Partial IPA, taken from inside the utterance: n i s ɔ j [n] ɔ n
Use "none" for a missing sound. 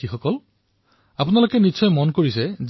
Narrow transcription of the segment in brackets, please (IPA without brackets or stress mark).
m